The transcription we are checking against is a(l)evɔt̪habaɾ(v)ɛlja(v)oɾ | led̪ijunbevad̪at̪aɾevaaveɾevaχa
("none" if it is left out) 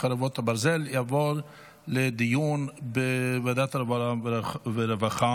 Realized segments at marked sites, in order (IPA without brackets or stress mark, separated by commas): ɾ, z, v